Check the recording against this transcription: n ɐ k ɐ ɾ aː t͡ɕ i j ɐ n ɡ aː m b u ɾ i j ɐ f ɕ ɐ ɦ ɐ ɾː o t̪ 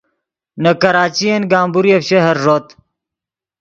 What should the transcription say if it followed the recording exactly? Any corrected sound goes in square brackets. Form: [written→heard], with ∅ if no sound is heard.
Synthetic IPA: n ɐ k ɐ ɾ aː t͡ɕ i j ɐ n ɡ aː m b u ɾ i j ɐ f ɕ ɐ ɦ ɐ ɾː o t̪